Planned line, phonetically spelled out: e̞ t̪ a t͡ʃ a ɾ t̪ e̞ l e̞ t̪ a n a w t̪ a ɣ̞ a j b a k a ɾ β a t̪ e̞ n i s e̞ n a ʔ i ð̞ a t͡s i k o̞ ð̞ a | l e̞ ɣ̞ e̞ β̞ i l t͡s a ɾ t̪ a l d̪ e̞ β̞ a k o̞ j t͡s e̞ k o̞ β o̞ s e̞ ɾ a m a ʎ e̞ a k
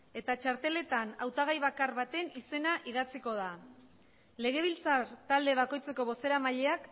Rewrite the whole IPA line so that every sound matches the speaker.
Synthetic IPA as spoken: e̞ t̪ a t͡ʃ a ɾ t̪ e̞ l e̞ t̪ a n a w t̪ a ɣ̞ a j β a k a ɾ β a t̪ e̞ n i s e̞ n a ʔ i ð̞ a t͡s i k o̞ ð̞ a | l e̞ ɣ̞ e̞ β̞ i l t͡s a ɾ t̪ a l d̪ e̞ β̞ a k o̞ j t͡s e̞ k o̞ β o̞ s e̞ ɾ a m a ʎ e̞ a k